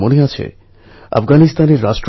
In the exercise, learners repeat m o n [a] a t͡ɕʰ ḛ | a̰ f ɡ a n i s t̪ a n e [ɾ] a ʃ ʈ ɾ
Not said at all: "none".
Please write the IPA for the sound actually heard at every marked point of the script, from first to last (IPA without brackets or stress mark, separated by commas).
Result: e, ɾː